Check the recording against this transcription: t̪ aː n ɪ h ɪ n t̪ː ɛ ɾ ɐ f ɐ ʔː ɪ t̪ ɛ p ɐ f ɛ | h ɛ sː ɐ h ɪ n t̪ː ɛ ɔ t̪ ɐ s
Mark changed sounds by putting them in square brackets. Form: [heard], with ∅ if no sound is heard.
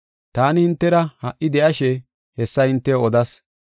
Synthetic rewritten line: t̪ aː n ɪ h ɪ n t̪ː ɛ ɾ ɐ [h] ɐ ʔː ɪ [d̪] ɛ [ʔ] ɐ [ʃ] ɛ | h ɛ sː ɐ h ɪ n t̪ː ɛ ɔ [d̪] ɐ s